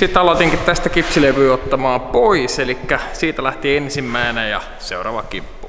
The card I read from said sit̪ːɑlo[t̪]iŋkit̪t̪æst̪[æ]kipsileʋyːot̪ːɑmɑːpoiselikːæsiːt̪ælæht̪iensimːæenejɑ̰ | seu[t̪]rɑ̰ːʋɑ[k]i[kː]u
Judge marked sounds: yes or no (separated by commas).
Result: yes, yes, no, yes, no